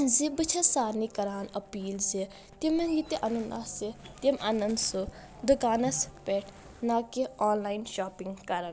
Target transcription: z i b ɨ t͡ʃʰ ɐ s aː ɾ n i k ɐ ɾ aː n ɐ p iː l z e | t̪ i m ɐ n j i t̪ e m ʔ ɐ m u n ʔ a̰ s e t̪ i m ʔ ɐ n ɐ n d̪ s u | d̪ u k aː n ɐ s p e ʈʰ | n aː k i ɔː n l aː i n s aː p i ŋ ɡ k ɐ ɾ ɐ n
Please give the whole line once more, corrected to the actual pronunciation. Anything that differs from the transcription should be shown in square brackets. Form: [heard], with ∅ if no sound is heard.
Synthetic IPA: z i b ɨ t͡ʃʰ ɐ s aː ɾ n i k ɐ ɾ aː n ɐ p iː l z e | t̪ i m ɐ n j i t̪ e [∅] ʔ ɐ [n] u n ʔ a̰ s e t̪ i m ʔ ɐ n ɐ n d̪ s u | d̪ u k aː n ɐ s p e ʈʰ | n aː k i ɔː n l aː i n [ʃ] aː p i ŋ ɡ k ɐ ɾ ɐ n